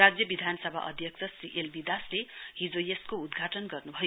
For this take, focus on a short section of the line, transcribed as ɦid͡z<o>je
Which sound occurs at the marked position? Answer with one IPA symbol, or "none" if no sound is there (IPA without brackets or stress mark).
o